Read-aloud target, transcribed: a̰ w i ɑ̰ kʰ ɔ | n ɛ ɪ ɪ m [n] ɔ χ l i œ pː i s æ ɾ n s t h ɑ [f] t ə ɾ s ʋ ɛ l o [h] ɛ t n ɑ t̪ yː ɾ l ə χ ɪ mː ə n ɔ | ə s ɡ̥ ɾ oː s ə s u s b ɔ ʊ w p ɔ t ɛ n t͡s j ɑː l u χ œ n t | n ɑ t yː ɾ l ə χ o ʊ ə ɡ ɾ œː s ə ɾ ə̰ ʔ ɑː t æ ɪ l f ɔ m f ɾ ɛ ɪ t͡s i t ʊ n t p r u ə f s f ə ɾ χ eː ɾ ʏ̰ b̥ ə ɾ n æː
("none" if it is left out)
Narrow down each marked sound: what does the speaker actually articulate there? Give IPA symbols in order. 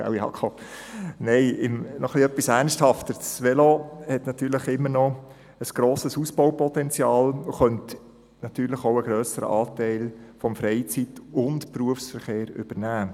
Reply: n, f, h

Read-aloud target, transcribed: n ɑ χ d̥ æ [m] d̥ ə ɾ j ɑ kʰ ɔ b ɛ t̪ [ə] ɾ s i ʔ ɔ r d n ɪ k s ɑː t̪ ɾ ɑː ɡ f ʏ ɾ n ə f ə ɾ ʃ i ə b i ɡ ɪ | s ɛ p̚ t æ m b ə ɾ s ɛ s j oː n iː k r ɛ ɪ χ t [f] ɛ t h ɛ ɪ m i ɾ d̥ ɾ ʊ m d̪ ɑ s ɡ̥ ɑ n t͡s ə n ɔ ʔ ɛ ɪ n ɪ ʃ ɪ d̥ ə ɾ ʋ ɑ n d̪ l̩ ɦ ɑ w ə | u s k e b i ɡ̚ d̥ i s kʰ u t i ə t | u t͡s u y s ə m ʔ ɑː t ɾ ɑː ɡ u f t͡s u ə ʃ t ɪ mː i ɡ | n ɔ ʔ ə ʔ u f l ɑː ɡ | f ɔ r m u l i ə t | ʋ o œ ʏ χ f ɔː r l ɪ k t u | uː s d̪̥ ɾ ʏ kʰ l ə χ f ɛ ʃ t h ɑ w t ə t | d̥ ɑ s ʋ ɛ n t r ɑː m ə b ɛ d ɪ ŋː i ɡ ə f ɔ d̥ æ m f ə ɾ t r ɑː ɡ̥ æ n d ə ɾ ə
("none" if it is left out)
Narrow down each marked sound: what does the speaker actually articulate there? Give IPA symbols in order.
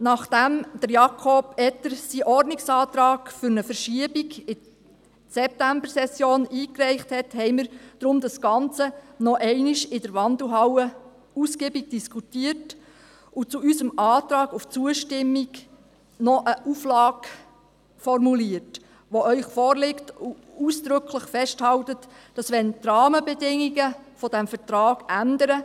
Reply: m, ə, h

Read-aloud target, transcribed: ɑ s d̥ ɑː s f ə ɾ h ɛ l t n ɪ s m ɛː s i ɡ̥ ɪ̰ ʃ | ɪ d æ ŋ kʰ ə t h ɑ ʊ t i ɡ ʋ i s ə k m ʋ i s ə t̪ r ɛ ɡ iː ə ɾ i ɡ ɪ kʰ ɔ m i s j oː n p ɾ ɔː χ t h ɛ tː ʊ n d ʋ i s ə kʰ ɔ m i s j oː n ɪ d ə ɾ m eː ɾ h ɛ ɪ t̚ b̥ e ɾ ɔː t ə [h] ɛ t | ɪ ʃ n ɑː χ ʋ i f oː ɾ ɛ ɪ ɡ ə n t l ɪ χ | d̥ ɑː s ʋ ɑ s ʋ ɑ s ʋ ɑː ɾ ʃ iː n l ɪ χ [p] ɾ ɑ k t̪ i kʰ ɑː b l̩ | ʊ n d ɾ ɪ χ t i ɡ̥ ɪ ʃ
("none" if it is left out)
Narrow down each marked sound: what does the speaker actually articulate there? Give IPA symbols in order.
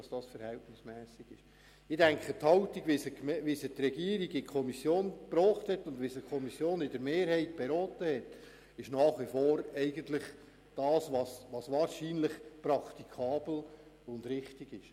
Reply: h, p

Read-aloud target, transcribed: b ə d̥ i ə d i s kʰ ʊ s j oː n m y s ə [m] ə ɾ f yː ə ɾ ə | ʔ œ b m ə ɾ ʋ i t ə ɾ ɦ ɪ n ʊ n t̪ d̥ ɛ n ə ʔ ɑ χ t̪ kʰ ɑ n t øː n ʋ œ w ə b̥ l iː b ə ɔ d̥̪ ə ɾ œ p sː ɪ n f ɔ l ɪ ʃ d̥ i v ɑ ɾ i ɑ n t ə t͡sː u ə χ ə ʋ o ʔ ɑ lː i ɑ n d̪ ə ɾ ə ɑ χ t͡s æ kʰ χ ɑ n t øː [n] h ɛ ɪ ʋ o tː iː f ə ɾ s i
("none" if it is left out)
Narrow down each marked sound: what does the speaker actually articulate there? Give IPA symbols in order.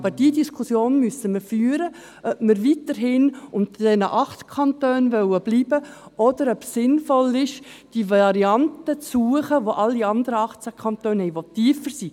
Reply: m, n

